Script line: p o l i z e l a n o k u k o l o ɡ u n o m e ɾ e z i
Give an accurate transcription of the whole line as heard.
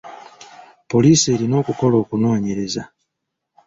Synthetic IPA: p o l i s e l i n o k u k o l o k u n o ɲ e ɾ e z a